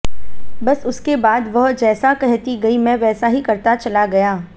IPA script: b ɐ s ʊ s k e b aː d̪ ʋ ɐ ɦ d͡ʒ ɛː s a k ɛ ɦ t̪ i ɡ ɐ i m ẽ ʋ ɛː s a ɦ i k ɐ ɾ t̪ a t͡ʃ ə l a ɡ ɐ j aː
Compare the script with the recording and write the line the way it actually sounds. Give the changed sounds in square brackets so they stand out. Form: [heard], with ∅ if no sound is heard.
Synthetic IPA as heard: b ɐ s ʊ s k e b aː d̪ ʋ ɐ ɦ d͡ʒ ɛː s a k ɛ ɦ t̪ i ɡ ɐ i m [ɛ̃] ʋ ɛː s a ɦ i k ɐ ɾ t̪ a t͡ʃ [ɐ] l a ɡ ɐ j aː